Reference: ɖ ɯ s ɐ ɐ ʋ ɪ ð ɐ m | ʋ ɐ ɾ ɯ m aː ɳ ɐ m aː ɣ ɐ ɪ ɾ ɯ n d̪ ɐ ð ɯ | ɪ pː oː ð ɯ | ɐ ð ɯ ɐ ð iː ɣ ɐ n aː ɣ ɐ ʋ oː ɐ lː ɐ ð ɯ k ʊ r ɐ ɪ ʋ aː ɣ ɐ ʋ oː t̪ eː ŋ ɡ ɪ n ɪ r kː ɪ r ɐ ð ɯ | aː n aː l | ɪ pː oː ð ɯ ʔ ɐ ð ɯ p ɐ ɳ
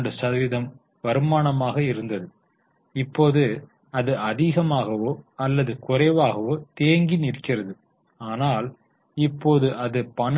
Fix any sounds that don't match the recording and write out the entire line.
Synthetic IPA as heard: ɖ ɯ s ɐ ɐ ʋ ɪ ð ɐ m | ʋ ɐ ɾ ɯ m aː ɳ ɐ m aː ɣ ɐ ɪ ɾ ɯ n d̪ ɐ ð ɯ | ɪ pː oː ð ɯ | ɐ ð ɯ ɐ ð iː ɣ ɐ m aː ɣ ɐ ʋ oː ɐ lː ɐ ð ɯ k ʊ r ɐ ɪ ʋ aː ɣ ɐ ʋ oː t̪ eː ŋ ɡ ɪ n ɪ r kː ɪ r ɐ ð ɯ | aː n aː l | ɪ pː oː ð ɯ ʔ ɐ ð ɯ p ɐ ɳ

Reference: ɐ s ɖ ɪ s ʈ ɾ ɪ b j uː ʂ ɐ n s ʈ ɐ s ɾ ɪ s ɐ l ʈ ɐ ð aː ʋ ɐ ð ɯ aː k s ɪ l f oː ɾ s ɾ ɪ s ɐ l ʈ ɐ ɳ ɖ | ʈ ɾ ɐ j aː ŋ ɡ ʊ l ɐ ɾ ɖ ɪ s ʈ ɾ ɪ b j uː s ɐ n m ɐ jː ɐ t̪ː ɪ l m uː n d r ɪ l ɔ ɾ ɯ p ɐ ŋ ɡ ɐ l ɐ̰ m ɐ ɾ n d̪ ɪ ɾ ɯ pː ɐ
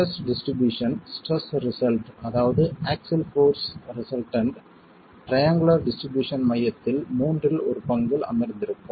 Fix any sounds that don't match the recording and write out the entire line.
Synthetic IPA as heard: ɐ s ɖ ɪ s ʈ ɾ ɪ b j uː ʂ ɐ n s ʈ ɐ s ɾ ɪ s ɐ l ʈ ɐ ð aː ʋ ɐ ð ɯ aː k s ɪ l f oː ɾ s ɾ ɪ s ɐ l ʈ ɐ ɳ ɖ | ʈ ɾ ɐ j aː ŋ ɡ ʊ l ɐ ɾ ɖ ɪ s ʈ ɾ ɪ b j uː ʂ ɐ n m ɐ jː ɐ t̪ː ɪ l m uː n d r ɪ l ɔ ɾ ɯ p ɐ ŋ ɡ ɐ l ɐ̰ m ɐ ɾ n d̪ ɪ ɾ ɯ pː ɐ

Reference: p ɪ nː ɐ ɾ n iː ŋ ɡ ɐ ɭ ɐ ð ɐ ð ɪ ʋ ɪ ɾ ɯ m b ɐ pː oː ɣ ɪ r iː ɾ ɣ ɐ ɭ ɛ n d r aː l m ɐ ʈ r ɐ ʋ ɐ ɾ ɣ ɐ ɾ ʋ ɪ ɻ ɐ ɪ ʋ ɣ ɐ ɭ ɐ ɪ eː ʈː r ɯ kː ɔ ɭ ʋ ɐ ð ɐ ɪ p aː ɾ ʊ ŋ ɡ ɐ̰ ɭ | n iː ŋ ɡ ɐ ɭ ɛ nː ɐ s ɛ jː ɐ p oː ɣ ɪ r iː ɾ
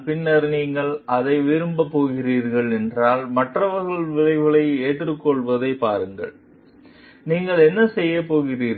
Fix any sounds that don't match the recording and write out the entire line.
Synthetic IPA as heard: p ɪ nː ɐ ɾ n iː ŋ ɡ ɐ ɭ ɐ ð ɐ ɪ ʋ ɪ ɾ ɯ m b ɐ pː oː ɣ ɪ r iː ɾ ɣ ɐ ɭ ɛ n d r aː l m ɐ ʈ r ɐ ʋ ɐ ɾ ɣ ɐ ɭ ʋ ɪ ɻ ɐ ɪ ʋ ɣ ɐ ɭ ɐ ɪ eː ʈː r ɯ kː ɔ ɭ ʋ ɐ ð ɐ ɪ p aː ɾ ɯ ŋ ɡ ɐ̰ ɭ | n iː ŋ ɡ ɐ ɭ ɛ nː ɐ s ɛ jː ɐ p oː ɣ ɪ r iː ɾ

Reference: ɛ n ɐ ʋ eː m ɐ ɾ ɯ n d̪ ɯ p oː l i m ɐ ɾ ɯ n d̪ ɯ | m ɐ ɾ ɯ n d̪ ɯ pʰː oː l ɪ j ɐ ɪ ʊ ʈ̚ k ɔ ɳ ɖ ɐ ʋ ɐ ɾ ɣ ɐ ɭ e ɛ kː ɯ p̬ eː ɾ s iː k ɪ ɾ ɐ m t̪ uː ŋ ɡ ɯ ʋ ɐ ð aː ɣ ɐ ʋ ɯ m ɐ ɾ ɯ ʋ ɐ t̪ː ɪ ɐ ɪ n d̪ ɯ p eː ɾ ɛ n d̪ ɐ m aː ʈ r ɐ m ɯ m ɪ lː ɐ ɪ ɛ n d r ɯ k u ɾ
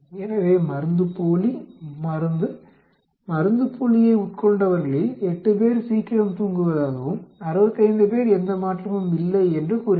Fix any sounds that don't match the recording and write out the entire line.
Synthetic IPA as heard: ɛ n ɐ ʋ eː m ɐ ɾ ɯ n d̪ ɯ p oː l i m ɐ ɾ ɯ n d̪ ɯ | m ɐ ɾ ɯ n d̪ ɯ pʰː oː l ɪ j ɐ ɪ ʊ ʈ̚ k ɔ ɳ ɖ ɐ ʋ ɐ ɾ ɣ ɐ ɭ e ɛ ʈː ɯ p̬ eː ɾ s iː k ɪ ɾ ɐ m t̪ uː ŋ ɡ ɯ ʋ ɐ ð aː ɣ ɐ ʋ ɯ m ɐ ɾ ɯ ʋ ɐ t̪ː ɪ ɐ ɪ n d̪ ɯ p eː ɾ ɛ n d̪ ɐ m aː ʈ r ɐ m ɯ m ɪ lː ɐ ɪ ɛ n d r ɯ k u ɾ

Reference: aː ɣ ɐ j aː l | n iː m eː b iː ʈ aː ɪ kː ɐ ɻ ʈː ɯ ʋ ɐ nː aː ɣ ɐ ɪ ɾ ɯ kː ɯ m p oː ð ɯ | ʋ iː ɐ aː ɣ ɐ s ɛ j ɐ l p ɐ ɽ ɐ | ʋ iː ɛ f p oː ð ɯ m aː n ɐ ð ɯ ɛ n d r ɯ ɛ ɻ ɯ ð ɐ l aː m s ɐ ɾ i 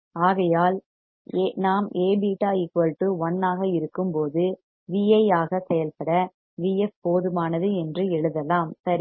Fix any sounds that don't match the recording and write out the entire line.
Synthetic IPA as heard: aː ɣ ɐ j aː l | n aː m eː b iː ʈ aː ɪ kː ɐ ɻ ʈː ɯ ʋ ɐ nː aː ɣ ɐ ɪ ɾ ɯ kː ɯ m p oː ð ɯ | ʋ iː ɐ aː ɣ ɐ s ɛ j ɐ l p ɐ ɽ ɐ | ʋ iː ɛ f p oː ð ɯ m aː n ɐ ð ɯ ɛ n d r ɯ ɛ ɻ ɯ ð ɐ l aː m s ɐ ɾ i

